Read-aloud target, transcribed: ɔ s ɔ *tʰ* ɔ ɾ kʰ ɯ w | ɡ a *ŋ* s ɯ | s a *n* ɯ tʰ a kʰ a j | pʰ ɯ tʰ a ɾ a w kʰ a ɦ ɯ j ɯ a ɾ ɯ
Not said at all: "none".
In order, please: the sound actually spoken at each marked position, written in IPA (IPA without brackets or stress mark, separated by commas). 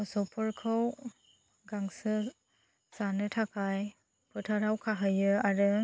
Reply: pʰ, ŋ, n